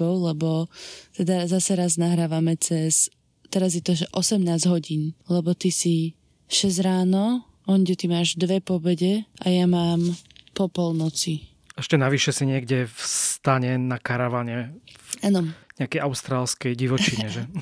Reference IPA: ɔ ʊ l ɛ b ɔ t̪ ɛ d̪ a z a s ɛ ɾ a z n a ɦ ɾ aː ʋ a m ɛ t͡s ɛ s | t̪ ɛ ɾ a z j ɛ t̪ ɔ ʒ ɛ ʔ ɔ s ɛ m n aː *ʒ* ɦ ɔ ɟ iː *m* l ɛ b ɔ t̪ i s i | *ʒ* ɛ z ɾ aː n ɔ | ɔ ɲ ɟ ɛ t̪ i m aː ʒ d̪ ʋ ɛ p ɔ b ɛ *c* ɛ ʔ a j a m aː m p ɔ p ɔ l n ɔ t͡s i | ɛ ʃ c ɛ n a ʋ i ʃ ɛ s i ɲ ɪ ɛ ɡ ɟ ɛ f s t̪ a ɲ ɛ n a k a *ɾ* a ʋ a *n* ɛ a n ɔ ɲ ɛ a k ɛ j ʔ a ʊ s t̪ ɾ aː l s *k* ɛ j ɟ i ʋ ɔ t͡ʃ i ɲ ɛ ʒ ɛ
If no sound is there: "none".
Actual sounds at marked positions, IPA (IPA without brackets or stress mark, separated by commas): z, n, ʃ, ɟ, ɾ, ɲ, k